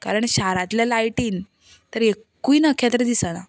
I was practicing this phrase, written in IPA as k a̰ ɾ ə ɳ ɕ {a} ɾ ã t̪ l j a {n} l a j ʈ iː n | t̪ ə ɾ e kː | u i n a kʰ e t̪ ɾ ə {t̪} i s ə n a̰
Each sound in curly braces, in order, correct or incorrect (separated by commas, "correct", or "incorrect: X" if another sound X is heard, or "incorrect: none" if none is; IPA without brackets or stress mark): correct, incorrect: none, incorrect: d̪